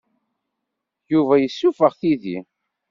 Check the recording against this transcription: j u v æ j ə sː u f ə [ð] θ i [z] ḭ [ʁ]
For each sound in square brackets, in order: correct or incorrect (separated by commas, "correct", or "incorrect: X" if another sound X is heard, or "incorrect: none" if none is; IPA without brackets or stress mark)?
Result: incorrect: ʁ, incorrect: ð, incorrect: none